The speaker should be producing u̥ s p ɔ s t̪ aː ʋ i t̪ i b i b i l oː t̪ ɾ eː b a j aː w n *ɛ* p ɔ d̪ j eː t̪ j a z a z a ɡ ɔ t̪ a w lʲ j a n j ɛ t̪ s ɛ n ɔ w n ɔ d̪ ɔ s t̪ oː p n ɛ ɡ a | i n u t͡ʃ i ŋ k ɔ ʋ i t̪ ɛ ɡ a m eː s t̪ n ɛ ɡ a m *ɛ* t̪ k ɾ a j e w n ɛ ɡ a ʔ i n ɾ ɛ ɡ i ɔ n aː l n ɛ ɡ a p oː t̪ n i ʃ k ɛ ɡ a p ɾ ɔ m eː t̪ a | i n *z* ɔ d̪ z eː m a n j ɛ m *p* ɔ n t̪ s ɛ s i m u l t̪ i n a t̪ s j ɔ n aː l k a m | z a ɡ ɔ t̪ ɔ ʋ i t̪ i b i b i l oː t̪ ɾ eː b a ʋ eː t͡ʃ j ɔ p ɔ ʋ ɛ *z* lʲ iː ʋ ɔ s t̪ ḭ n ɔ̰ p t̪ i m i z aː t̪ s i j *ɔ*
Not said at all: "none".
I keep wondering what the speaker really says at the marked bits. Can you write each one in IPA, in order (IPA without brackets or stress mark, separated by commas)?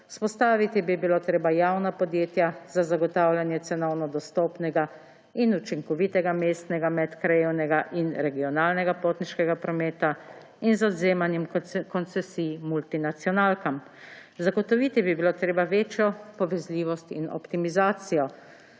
a, ɛ, z, k, z, ɔ